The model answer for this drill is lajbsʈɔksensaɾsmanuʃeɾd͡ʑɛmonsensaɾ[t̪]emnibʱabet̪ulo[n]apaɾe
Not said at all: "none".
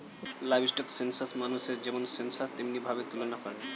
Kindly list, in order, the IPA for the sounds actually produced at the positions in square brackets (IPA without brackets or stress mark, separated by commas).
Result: t̪, n